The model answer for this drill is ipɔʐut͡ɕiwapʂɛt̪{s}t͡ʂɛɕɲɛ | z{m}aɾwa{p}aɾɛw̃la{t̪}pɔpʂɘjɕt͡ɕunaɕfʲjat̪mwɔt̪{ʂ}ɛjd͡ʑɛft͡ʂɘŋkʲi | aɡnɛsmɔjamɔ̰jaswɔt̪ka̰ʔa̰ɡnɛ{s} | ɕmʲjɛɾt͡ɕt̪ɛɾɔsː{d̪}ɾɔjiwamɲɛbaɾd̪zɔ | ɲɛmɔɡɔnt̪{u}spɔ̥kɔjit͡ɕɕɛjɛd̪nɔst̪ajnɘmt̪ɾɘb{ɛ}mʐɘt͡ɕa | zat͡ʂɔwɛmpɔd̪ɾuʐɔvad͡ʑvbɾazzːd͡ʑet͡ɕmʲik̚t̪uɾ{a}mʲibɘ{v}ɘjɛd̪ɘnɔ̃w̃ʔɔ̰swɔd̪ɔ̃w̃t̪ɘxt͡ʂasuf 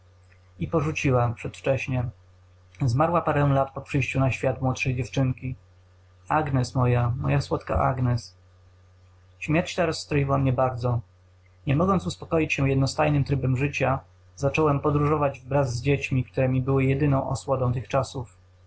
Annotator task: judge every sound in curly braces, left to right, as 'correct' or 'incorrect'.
incorrect: f, correct, correct, correct, correct, correct, incorrect: t̪, correct, correct, incorrect: ɛ, incorrect: w

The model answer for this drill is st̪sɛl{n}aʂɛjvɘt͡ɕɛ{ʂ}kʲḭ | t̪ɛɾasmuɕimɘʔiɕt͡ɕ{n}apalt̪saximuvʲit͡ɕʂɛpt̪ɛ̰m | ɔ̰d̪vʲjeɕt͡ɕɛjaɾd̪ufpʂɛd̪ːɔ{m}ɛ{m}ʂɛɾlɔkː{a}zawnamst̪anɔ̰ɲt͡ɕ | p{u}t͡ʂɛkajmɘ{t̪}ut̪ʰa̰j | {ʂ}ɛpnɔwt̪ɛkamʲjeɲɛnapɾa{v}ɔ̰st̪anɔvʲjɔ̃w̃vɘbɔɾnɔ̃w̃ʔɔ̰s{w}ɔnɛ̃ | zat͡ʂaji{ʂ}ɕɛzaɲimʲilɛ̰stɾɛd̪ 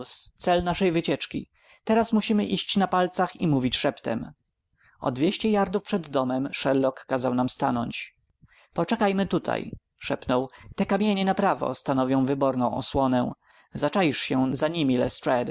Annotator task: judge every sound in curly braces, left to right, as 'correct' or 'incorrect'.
correct, incorrect: t͡ʂ, correct, correct, correct, correct, incorrect: ɔ, correct, correct, correct, correct, correct

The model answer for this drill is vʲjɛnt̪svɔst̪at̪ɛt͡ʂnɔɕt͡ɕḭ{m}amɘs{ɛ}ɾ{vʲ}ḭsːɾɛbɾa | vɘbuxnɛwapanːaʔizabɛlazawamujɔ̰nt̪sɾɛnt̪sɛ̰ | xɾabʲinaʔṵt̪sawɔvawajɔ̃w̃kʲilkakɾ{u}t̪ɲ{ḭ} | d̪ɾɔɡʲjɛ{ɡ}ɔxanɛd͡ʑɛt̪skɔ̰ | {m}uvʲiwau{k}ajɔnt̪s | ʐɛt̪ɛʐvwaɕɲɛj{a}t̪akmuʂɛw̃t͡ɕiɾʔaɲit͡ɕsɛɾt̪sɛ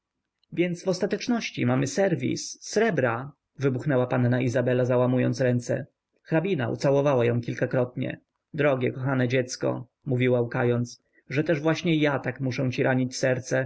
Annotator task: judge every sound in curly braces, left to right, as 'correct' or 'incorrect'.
correct, correct, correct, incorrect: ɔ, incorrect: ɛ̰, incorrect: k, correct, correct, correct

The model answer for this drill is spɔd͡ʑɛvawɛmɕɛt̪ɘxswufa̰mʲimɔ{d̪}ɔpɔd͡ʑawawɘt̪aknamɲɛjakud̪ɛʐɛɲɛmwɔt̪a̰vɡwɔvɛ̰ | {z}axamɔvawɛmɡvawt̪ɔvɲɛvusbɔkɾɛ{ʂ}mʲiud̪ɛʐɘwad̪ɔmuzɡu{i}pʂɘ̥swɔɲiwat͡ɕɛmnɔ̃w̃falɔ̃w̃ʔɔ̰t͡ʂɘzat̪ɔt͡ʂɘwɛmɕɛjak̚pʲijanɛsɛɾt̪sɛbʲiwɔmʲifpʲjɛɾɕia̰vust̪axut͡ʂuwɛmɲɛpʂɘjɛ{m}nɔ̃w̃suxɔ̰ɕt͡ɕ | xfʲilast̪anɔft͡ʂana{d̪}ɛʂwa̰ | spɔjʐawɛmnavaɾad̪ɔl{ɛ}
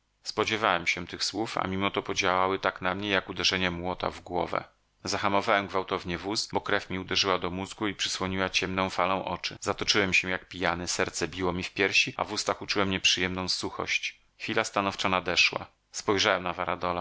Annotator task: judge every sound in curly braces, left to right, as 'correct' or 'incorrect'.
incorrect: t̪, correct, incorrect: f, correct, correct, correct, incorrect: a

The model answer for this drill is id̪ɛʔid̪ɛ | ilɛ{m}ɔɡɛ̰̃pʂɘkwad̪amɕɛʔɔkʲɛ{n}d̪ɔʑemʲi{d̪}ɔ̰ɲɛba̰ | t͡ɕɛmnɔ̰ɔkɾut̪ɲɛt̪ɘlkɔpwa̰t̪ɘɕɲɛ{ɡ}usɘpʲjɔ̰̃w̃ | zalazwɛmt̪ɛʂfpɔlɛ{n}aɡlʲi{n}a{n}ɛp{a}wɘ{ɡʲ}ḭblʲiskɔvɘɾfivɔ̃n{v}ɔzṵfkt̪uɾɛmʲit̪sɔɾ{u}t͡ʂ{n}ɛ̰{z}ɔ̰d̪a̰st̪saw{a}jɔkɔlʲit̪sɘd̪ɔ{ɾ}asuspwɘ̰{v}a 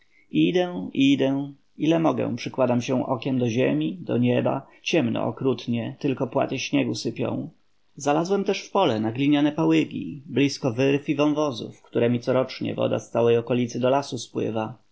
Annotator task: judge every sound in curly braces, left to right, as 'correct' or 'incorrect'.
correct, incorrect: m, correct, correct, correct, incorrect: ɲ, correct, correct, correct, correct, incorrect: ɔ, incorrect: ɲ, incorrect: v, incorrect: ɛ, incorrect: l, correct

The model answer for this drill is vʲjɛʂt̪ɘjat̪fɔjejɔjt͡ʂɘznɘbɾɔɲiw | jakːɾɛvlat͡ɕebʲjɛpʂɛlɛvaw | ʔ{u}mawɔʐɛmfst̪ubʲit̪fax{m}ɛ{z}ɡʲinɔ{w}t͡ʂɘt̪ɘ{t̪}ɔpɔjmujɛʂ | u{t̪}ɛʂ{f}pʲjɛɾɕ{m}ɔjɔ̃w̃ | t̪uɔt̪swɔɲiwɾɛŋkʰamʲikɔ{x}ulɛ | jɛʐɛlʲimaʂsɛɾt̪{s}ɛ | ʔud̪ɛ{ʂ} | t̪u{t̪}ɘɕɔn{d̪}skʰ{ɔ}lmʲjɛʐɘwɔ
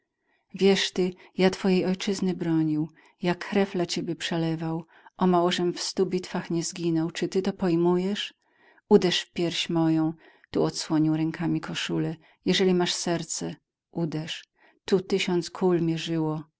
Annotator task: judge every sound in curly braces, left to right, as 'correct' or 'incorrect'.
incorrect: ɔ, incorrect: ɲ, correct, correct, correct, incorrect: d̪, correct, correct, incorrect: ʂ, correct, correct, correct, incorrect: t̪, incorrect: u

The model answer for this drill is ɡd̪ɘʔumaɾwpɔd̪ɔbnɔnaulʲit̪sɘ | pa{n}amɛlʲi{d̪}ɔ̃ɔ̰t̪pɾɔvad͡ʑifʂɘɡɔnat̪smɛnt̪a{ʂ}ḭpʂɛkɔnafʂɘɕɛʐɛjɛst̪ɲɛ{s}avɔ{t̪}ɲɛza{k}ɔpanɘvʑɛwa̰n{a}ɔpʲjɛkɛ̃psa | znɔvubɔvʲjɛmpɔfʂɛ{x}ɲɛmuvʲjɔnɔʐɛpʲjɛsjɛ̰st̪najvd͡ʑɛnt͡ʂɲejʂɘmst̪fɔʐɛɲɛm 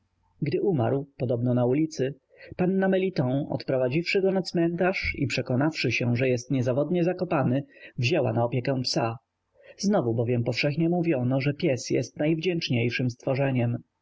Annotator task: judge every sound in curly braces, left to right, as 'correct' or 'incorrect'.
incorrect: nː, incorrect: t̪, correct, incorrect: z, incorrect: d̪, correct, correct, correct

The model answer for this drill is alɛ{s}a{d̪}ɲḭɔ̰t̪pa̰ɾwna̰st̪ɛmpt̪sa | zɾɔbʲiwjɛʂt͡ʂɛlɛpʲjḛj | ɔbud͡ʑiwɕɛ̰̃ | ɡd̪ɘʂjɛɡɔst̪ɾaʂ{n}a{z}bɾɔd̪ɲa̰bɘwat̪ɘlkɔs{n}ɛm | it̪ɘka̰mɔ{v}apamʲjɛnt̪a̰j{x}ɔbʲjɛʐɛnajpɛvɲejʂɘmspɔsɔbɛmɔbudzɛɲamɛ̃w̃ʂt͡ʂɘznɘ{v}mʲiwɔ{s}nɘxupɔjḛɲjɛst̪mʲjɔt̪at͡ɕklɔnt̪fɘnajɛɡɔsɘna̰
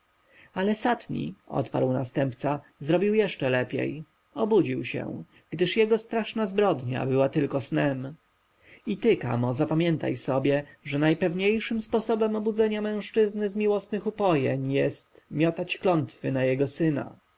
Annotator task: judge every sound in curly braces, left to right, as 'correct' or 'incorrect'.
correct, incorrect: t̪, correct, correct, correct, incorrect: z, incorrect: s, incorrect: z, correct

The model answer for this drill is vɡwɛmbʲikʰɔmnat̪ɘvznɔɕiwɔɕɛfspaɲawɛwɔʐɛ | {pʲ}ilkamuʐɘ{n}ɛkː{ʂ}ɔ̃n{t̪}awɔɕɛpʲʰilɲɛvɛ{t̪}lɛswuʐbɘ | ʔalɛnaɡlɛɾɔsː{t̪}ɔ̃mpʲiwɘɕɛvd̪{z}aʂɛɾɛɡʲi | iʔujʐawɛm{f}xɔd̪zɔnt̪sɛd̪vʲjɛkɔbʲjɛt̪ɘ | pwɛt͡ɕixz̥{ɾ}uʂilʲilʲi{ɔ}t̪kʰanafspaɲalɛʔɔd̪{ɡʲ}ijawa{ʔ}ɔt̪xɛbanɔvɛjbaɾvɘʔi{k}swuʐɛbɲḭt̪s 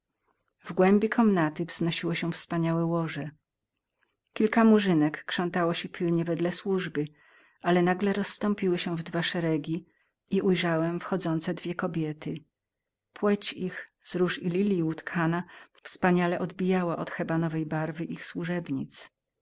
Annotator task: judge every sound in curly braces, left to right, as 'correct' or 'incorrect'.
incorrect: kʲ, correct, correct, correct, incorrect: d̪, correct, incorrect: v, correct, correct, incorrect: u, incorrect: bʲ, correct, incorrect: x

